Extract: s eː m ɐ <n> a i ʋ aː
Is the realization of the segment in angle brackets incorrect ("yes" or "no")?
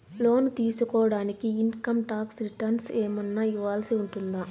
yes